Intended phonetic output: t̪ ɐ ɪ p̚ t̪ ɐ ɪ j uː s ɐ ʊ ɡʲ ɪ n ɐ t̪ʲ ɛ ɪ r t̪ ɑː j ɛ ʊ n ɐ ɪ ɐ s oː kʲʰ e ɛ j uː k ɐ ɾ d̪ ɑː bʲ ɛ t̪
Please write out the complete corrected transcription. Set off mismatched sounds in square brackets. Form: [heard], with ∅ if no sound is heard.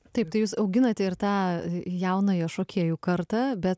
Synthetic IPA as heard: t̪ ɐ ɪ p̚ t̪ ɐ ɪ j uː s ɐ ʊ ɡʲ ɪ n ɐ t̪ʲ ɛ ɪ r t̪ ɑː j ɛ ʊ n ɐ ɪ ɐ [ʃ] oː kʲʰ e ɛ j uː k ɐ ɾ [t̪] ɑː bʲ ɛ t̪